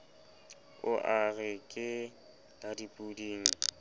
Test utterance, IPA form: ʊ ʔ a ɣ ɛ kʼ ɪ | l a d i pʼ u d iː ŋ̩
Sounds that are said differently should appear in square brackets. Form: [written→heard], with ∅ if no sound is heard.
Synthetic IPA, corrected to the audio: ʊ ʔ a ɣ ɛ kʼ ɪ | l a d i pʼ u d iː ŋ̩

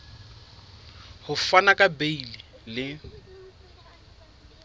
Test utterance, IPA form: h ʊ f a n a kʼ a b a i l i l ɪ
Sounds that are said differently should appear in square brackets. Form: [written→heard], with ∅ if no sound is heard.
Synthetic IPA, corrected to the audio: h ʊ f a n a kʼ a b [a→e] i l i l ɪ

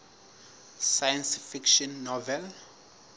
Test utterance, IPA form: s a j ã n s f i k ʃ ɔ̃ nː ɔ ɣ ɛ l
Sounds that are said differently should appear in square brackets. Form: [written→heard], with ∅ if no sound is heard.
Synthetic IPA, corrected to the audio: s a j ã n s f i k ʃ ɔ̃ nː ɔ [ɣ→v] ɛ l

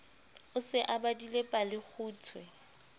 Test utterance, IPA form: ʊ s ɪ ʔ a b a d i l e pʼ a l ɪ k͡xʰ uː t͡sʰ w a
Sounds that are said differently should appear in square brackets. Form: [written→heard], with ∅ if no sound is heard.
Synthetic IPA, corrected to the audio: ʊ s ɪ ʔ a b a d i l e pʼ a l ɪ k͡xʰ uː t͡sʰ w [a→ɛ]

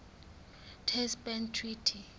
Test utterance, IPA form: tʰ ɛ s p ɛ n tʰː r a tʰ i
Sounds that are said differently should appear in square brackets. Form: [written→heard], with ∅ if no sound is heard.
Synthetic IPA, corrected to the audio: tʰ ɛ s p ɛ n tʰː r [a→i] tʰ i

